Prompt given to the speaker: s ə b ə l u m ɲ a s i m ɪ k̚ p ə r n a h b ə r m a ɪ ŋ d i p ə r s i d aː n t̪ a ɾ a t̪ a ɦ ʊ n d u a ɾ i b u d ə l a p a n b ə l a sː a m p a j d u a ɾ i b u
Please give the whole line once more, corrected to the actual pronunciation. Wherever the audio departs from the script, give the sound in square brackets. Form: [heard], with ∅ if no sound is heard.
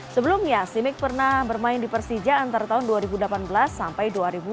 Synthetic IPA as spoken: s ə b ə l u m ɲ a s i m ɪ k̚ p ə r n a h b ə r m a ɪ [n] d i p ə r s i [d͡ʒ] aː n t̪ a ɾ a t̪ a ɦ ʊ n d u a ɾ i b u d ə l a p a n b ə l a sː a m p a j d u a ɾ i b u